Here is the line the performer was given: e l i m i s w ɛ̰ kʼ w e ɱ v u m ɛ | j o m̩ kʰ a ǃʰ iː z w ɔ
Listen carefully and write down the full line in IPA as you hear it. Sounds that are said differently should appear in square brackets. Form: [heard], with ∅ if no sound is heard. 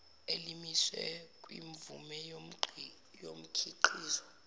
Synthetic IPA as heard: e l i m i s w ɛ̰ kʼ w [i] ɱ v u m ɛ | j o m̩ kʰ [i] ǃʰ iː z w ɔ